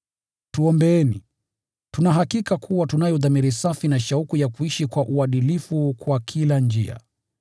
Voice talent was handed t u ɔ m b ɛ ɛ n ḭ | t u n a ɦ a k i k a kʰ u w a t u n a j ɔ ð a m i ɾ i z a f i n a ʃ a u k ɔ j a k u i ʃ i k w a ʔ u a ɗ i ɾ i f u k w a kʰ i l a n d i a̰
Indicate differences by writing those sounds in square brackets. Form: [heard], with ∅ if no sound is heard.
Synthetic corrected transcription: t u ɔ m b ɛ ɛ n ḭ | t u n a ɦ a k i k a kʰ u w a t u n a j ɔ ð a m i ɾ i [s] a f i n a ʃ a u k [u] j a k u i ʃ i k w a ʔ u a ɗ i [l] i f u k w a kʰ i l a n [d͡ʒ] i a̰